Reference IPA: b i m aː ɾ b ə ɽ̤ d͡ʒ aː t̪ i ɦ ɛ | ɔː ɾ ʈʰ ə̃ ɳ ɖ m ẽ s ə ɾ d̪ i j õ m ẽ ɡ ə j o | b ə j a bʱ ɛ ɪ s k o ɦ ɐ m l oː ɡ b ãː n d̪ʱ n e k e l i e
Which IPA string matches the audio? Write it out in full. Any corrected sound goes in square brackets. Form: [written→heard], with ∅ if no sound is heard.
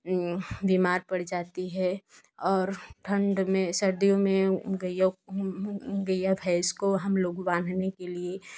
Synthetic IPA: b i m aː ɾ [b→p] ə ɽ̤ d͡ʒ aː t̪ i ɦ ɛ | ɔː ɾ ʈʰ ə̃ ɳ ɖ m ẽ s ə ɾ d̪ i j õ m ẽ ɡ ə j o | [b→ɡ] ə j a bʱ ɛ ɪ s k o ɦ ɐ m l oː ɡ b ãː n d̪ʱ n e k e l i e

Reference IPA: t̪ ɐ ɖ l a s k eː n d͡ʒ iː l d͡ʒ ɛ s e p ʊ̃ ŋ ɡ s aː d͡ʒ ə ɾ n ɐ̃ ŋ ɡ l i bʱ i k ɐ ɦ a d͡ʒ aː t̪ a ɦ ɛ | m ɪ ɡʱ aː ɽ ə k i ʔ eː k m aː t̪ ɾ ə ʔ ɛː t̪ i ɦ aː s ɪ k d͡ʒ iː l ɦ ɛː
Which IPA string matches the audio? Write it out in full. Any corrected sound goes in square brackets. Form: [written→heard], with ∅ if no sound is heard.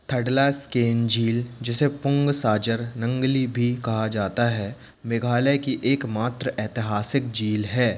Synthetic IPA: [t̪→t̪ʰ] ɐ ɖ l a s k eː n d͡ʒ iː l d͡ʒ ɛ s e p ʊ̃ ŋ ɡ s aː d͡ʒ ə ɾ n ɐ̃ ŋ ɡ l i bʱ i k ɐ ɦ a d͡ʒ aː t̪ a ɦ ɛ | m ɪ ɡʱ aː [ɽ→l] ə k i ʔ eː k m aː t̪ ɾ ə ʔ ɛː t̪ [i→ɪ] ɦ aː s ɪ k d͡ʒ iː l ɦ ɛː

